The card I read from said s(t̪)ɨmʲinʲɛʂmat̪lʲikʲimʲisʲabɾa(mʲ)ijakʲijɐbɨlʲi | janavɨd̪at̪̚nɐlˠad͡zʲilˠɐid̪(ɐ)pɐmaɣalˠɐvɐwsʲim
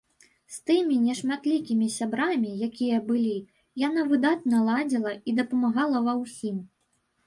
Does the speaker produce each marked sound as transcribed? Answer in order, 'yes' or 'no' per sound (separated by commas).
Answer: yes, yes, yes